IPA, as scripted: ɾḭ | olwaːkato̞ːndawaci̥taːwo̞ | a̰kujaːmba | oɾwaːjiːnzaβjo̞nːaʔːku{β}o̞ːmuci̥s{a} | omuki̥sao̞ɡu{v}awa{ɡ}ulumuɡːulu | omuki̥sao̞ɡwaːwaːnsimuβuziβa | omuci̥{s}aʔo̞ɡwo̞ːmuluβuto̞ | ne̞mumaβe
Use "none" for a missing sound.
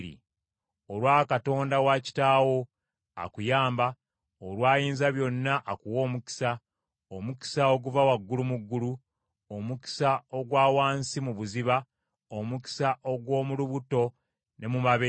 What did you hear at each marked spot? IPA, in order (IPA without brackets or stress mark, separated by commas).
w, a, v, ɡː, s